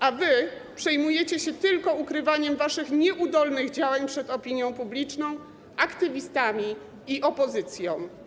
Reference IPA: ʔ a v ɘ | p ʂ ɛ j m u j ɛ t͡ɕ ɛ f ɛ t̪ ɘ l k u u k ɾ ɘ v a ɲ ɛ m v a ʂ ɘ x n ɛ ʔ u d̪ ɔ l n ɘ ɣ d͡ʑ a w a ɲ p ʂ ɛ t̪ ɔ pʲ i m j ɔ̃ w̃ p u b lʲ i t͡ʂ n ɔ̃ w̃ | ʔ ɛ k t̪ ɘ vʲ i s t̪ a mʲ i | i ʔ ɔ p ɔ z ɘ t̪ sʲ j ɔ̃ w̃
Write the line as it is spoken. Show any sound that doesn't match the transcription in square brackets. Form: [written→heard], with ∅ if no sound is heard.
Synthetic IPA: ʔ a v ɘ | p ʂ ɛ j m u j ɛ t͡ɕ ɛ [f→ɕ] ɛ t̪ ɘ l k [u→ɔ] u k ɾ ɘ v a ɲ ɛ m v a ʂ ɘ x [n→ɲ] ɛ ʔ u d̪ ɔ l n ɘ ɣ d͡ʑ a w a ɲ p ʂ ɛ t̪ ɔ pʲ i [m→ɲ] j ɔ̃ w̃ p u b lʲ i t͡ʂ n ɔ̃ w̃ | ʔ [ɛ→a] k t̪ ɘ vʲ i s t̪ a mʲ i | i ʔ ɔ p ɔ z ɘ t̪ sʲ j ɔ̃ w̃